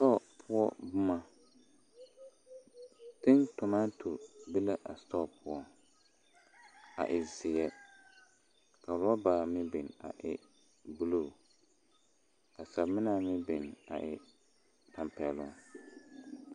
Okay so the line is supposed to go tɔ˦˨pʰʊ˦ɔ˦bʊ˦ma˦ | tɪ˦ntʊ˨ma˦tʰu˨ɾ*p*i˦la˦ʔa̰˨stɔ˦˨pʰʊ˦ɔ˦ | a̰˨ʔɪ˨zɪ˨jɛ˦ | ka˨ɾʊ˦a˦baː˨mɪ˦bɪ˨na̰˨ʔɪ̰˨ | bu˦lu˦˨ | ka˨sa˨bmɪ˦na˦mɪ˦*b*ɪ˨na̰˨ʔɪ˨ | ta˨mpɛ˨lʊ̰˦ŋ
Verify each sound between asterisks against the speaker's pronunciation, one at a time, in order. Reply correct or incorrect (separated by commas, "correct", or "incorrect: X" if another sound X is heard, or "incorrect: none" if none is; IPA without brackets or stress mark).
incorrect: b, correct